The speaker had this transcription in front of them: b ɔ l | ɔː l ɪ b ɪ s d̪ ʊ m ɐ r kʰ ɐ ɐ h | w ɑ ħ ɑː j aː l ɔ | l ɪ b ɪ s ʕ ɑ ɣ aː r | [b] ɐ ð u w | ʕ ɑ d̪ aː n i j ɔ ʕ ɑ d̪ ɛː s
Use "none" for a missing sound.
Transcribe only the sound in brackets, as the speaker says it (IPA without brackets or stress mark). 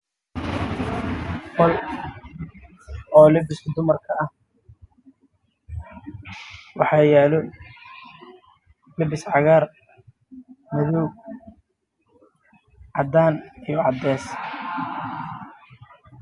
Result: m